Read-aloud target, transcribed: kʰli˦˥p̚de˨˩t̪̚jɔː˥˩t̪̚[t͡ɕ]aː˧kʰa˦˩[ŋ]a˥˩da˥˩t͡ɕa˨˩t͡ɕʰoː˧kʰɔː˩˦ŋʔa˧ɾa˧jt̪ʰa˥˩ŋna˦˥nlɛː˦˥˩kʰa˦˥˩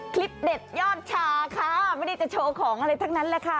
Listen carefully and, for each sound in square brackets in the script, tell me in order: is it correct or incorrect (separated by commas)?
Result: incorrect, incorrect